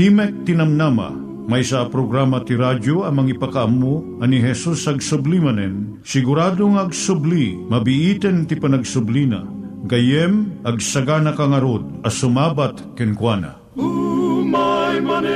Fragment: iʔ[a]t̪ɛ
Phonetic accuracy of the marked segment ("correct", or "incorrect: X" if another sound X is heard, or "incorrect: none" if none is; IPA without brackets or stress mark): incorrect: i